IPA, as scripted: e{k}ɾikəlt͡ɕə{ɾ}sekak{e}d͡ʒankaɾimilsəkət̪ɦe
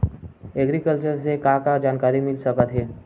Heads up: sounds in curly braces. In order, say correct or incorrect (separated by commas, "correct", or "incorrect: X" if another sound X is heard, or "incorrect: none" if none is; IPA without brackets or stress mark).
incorrect: ɡ, correct, incorrect: a